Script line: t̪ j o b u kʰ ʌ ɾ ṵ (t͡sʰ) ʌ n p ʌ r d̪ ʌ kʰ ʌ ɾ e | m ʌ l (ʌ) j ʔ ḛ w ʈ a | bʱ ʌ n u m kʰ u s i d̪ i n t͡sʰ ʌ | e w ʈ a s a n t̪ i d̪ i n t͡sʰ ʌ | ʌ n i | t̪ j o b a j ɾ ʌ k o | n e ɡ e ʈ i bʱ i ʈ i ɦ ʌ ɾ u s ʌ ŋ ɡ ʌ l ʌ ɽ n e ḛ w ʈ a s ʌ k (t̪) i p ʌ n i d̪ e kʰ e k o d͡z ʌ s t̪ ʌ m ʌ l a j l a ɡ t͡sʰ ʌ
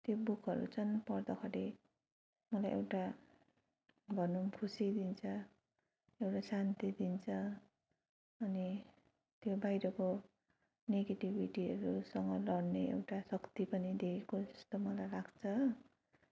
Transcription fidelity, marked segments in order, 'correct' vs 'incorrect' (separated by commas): correct, incorrect, correct